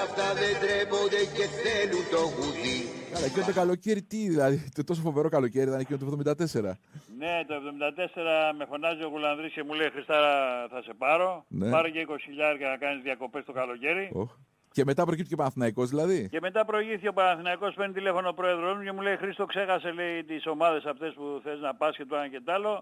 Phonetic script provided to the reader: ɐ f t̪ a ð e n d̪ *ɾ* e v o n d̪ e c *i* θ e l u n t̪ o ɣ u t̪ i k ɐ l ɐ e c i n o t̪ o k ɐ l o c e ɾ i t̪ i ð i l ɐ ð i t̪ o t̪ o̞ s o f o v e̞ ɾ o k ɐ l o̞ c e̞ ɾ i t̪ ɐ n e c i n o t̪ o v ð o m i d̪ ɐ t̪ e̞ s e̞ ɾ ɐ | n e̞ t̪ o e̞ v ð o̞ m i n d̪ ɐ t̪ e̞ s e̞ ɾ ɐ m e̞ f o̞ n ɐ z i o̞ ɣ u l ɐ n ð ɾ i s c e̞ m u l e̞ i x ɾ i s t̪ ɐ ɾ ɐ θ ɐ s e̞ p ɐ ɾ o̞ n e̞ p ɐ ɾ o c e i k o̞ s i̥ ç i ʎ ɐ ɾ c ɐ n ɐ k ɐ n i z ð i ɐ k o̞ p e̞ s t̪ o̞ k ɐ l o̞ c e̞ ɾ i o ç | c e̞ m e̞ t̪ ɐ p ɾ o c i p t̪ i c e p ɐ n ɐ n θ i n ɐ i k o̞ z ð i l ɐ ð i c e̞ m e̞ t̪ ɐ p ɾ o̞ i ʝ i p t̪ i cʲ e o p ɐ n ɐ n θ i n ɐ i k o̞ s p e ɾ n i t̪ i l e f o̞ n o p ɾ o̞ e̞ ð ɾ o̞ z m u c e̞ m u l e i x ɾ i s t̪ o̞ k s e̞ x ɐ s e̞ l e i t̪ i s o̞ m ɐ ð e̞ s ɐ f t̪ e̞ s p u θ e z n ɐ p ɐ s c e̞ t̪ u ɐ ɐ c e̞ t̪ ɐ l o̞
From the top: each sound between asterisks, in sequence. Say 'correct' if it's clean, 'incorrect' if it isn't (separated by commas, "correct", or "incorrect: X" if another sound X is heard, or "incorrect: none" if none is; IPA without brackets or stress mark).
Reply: correct, incorrect: e